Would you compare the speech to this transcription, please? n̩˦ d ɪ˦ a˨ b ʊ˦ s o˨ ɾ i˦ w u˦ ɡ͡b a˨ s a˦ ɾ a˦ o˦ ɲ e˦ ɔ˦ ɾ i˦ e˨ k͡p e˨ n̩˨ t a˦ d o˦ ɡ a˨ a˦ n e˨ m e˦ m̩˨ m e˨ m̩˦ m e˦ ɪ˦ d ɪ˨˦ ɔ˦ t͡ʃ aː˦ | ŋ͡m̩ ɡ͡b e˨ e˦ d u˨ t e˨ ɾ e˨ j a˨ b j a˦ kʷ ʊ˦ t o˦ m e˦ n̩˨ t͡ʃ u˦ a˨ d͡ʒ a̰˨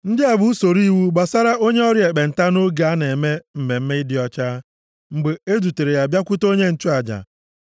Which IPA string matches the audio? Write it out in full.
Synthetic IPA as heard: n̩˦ d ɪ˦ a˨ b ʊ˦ s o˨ ɾ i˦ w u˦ ɡ͡b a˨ s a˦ ɾ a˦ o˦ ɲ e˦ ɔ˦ ɾ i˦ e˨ k͡p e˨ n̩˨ t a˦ n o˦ ɡ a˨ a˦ n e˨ m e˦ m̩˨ m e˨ m̩˦ m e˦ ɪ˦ d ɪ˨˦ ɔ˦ t͡ʃ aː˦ | ŋ͡m̩ ɡ͡b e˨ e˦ d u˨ t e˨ ɾ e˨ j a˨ b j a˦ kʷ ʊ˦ t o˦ ɲ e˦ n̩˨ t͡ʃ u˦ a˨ d͡ʒ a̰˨